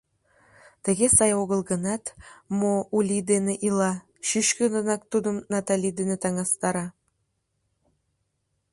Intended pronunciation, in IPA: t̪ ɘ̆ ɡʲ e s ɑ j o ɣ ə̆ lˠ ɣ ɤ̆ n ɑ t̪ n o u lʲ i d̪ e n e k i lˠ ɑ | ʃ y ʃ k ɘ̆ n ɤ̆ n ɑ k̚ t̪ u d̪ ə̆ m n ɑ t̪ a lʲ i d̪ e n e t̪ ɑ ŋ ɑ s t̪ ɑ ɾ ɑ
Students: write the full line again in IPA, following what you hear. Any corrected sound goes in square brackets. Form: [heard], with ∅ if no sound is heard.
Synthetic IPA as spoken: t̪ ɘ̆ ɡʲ e s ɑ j o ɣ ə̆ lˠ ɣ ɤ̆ n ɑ t̪ [m] o u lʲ i d̪ e n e [ʔ] i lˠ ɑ | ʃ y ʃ k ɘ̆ n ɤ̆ n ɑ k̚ t̪ u d̪ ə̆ m n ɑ t̪ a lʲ i d̪ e n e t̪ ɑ ŋ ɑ s t̪ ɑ ɾ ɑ